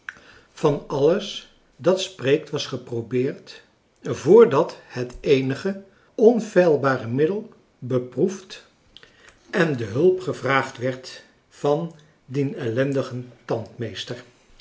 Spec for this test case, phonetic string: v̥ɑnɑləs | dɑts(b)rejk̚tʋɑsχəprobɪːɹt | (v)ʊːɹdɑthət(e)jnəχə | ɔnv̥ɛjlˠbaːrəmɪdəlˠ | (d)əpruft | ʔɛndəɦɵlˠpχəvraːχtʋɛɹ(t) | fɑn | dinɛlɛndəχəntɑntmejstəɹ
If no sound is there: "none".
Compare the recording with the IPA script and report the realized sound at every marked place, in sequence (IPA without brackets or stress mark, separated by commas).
p, v, e, b, t